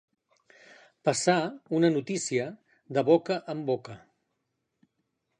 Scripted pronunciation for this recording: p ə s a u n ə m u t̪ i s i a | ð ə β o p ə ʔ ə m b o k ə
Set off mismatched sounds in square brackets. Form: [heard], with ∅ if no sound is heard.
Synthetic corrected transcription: p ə s a u n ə [n] u t̪ i s i [ə] | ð ə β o [k] ə ʔ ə m b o k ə

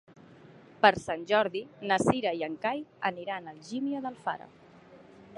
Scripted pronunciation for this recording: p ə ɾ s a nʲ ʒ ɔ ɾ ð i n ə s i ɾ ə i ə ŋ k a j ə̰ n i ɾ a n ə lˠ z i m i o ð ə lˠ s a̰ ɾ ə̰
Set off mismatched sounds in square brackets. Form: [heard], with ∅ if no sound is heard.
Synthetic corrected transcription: p ə ɾ s a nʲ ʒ ɔ ɾ ð i n ə s i ɾ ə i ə ŋ k a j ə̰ n i ɾ a n ə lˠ [ʒ] i m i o ð ə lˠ [f] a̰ ɾ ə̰

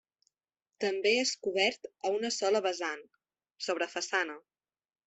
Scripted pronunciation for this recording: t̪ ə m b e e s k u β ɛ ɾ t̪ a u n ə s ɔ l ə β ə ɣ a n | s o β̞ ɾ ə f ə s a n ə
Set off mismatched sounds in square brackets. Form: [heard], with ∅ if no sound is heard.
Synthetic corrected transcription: t̪ ə m b e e s k u β ɛ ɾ t̪ [ə] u n ə s ɔ l ə β ə [z] a n | s o β̞ ɾ ə f ə s a n ə

